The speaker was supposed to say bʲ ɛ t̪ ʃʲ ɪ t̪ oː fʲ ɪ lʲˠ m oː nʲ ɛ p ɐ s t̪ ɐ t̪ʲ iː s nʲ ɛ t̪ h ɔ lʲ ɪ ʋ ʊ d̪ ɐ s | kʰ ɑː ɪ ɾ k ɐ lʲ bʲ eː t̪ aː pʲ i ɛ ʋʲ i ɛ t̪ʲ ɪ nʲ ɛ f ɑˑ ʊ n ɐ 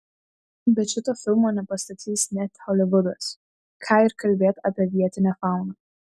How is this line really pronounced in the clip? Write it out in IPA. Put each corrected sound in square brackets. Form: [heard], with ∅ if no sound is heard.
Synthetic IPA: bʲ ɛ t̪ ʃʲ ɪ t̪ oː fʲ ɪ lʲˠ m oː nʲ ɛ p ɐ s t̪ ɐ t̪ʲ iː s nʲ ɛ t̪ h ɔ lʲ ɪ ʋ ʊ d̪ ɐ s | kʰ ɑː ɪ ɾ k ɐ lʲ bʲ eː t̪ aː pʲ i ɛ ʋʲ i ɛ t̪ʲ ɪ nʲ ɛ f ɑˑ ʊ n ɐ